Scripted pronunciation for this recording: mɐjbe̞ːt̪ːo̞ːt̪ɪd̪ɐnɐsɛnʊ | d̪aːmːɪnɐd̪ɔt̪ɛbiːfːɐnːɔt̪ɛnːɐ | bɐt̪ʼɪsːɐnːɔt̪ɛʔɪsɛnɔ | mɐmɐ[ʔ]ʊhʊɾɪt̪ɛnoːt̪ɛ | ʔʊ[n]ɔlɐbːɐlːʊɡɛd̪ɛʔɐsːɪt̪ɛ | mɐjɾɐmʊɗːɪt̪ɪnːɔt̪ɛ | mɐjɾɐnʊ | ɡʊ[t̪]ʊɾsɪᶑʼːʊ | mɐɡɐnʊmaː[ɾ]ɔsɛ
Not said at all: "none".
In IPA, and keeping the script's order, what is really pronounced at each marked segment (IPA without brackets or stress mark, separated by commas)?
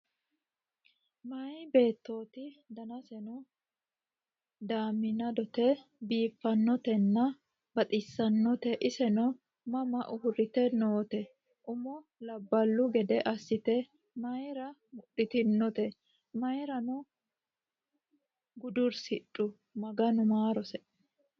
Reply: ʔ, m, d̪, ɾ